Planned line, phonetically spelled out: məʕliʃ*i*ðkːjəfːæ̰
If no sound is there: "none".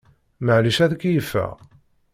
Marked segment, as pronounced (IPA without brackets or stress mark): æ